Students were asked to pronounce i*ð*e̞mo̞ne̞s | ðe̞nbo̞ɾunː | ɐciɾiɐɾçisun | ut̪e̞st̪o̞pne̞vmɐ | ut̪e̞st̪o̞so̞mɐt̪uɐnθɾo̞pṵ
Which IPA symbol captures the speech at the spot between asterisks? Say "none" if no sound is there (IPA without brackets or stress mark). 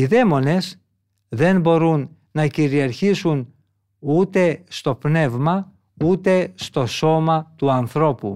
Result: ð